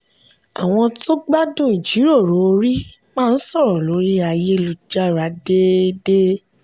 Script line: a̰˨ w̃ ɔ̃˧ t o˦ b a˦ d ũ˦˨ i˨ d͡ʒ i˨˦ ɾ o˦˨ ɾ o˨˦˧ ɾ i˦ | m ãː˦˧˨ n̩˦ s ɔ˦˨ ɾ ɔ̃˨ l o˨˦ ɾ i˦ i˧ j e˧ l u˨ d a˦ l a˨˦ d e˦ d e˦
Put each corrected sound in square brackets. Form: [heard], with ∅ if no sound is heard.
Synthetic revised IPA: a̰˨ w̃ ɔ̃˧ t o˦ [ɡ͡b] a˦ d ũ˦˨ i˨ d͡ʒ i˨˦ ɾ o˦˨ ɾ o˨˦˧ ɾ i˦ | m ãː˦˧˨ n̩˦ s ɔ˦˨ ɾ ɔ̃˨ l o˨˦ ɾ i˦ [a˧] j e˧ l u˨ [d͡ʒ] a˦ [ɾ] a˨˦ d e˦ d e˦